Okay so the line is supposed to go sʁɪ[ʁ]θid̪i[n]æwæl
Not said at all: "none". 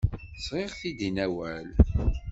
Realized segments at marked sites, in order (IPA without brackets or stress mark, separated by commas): ʁ, n